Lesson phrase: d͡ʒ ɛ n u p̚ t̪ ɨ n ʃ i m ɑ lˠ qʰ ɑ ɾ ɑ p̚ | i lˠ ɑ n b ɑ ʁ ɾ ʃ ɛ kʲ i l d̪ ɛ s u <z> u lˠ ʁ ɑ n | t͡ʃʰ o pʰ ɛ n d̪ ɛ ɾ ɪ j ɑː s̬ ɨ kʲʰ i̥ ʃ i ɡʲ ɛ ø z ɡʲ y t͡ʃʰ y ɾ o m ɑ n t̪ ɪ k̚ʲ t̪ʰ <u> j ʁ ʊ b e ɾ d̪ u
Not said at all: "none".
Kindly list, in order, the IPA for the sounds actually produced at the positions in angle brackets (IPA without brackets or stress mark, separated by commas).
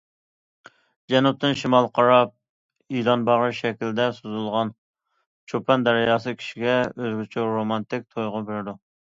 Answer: z, o